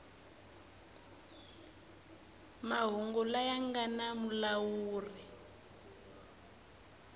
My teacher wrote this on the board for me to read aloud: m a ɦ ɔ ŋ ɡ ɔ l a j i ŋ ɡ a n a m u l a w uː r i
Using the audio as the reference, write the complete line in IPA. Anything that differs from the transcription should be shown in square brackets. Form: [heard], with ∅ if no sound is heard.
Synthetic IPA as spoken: m a ɦ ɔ ŋ ɡ ɔ l a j [a] ŋ ɡ a n a m u l a w uː r i